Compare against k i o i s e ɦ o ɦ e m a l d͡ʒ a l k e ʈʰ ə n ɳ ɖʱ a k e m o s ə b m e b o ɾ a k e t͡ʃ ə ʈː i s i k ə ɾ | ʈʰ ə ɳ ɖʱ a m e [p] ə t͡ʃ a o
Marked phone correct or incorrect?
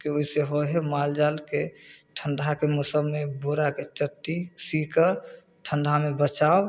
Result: incorrect